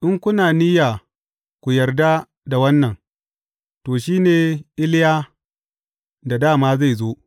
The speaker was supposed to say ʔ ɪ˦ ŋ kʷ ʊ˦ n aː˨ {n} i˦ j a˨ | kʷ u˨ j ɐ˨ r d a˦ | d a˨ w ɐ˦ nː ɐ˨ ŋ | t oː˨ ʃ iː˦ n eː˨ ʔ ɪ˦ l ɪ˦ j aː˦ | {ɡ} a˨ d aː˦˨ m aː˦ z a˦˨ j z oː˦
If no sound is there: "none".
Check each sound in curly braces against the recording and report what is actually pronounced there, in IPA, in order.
n, d

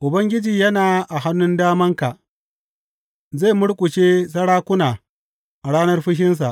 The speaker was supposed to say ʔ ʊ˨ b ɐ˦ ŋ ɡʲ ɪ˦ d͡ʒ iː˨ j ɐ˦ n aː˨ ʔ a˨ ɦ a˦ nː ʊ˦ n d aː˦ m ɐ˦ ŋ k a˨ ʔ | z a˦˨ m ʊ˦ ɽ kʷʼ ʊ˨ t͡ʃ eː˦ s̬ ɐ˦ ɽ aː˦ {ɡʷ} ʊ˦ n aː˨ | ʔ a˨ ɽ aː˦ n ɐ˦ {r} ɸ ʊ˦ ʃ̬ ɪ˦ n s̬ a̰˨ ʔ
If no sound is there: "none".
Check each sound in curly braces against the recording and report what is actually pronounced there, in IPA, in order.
kʷ, r

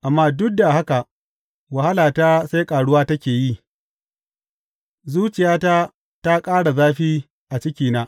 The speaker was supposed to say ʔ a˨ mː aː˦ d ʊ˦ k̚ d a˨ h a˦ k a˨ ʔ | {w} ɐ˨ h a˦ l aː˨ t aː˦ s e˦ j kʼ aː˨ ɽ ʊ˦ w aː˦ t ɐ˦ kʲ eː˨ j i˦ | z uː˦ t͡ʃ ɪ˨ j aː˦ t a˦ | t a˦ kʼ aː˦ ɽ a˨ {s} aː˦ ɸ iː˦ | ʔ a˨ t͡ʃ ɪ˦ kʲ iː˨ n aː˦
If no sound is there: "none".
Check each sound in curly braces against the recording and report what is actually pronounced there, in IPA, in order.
w, z

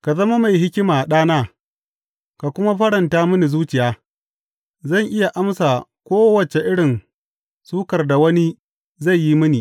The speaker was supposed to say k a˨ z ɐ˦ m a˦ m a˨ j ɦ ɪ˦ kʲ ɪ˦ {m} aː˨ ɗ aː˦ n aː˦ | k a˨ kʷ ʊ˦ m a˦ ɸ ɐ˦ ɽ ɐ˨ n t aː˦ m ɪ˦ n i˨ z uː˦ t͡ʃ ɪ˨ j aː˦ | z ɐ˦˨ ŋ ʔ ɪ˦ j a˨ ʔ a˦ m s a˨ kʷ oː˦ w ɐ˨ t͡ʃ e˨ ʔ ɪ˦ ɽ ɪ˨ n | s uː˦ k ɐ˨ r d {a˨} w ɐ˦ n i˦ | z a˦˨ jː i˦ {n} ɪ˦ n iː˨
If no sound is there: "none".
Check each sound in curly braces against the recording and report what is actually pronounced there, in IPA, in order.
m, a˨, m

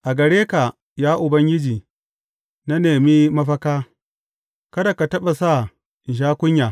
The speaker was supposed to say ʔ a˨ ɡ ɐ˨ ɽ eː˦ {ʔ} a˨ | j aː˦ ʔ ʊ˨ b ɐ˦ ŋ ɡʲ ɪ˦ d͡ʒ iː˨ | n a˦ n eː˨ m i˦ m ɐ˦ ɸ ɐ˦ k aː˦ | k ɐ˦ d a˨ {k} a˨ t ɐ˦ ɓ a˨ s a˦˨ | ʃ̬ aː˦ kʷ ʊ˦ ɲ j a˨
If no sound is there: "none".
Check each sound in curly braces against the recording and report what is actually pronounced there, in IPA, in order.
k, k

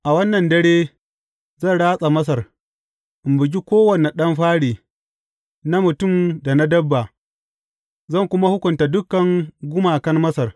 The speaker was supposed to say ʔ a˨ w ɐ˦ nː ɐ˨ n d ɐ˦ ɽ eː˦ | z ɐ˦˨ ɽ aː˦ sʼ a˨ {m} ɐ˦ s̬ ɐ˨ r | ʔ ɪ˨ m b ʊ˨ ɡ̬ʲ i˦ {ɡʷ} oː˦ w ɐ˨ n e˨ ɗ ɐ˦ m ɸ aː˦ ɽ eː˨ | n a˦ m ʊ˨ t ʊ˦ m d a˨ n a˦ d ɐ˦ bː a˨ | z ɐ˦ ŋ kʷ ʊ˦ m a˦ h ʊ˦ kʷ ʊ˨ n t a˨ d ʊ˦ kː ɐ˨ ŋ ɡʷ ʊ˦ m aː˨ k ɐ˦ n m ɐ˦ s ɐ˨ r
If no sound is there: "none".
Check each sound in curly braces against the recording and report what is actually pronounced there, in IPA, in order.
m, kʷ

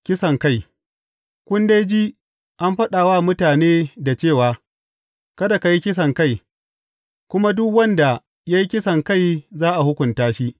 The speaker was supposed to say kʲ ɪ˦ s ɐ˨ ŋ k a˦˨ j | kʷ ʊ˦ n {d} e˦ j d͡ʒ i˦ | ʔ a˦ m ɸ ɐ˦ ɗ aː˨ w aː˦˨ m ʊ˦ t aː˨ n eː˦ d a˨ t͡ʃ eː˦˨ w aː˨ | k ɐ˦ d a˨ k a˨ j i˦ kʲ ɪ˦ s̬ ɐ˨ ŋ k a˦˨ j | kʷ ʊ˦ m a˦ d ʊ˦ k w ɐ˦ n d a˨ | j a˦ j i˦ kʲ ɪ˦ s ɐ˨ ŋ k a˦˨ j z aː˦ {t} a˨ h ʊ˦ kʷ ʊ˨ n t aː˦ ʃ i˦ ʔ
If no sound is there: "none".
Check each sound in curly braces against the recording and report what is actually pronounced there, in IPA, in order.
d, ʔ

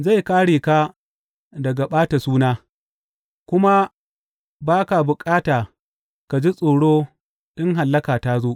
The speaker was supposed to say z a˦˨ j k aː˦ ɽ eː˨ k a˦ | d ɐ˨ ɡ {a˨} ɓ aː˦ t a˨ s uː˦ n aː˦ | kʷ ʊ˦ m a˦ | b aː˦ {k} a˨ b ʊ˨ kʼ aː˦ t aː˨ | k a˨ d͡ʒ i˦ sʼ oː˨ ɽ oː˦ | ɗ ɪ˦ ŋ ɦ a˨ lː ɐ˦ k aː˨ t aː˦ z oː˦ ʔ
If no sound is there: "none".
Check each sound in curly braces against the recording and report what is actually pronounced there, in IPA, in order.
a˨, k

